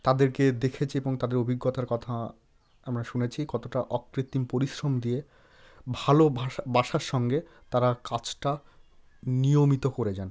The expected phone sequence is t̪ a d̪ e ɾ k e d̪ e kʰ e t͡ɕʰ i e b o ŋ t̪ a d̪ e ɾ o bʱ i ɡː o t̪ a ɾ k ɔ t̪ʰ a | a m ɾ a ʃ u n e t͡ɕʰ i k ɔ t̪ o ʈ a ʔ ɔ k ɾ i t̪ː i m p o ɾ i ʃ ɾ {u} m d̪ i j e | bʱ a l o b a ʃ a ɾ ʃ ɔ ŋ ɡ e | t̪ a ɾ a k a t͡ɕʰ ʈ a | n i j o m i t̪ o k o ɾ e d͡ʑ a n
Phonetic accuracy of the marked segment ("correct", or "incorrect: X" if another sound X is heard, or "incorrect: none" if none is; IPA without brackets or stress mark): incorrect: o